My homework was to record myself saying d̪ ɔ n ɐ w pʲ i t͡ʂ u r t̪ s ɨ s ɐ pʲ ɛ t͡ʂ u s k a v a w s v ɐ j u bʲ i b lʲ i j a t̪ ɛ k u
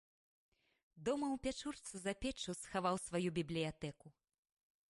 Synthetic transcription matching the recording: d̪ ɔ m ɐ w pʲ a t͡ʂ u r t̪ s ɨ z ɐ pʲ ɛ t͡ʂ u s x a v a w s v a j u bʲ i b lʲ i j a t̪ ɛ k u